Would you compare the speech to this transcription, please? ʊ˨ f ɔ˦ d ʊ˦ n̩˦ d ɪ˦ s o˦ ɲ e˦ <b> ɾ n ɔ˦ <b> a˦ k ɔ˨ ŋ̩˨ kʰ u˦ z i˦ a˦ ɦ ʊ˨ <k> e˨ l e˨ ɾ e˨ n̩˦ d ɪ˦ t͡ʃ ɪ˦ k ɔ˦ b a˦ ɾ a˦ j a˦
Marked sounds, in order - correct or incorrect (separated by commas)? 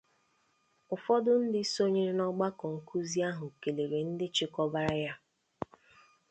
incorrect, incorrect, correct